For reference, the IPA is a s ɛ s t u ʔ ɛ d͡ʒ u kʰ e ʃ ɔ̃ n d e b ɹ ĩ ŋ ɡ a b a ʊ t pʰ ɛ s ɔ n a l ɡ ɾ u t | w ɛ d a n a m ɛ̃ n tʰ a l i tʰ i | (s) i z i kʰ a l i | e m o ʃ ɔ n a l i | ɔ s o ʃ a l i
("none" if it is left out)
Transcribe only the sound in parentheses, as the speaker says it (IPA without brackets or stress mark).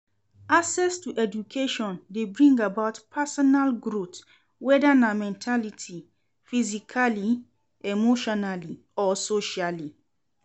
f